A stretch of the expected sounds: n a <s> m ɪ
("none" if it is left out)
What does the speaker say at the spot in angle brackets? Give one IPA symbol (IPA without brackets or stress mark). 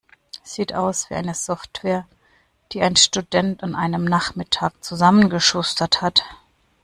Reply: χ